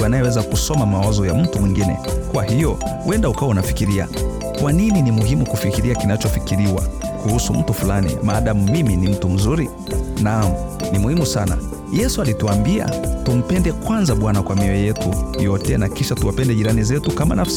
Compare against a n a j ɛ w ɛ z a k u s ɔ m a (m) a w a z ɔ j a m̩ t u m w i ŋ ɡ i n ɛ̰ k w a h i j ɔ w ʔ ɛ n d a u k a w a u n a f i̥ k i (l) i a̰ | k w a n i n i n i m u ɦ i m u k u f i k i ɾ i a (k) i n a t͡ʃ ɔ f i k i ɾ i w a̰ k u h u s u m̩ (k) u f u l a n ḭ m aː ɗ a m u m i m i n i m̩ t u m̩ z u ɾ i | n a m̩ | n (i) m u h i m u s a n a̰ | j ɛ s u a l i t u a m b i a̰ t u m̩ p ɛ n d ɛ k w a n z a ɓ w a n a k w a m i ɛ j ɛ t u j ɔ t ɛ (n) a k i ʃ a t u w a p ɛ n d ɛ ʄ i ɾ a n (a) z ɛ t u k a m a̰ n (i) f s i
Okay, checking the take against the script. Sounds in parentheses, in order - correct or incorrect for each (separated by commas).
correct, incorrect, correct, incorrect, correct, correct, incorrect, incorrect